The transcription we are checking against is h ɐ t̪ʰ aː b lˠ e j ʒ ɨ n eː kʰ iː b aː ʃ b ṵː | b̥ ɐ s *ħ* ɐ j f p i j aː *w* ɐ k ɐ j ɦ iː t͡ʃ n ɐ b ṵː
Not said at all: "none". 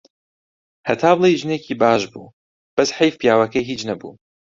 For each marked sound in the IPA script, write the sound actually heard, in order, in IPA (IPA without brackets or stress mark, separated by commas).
ħ, w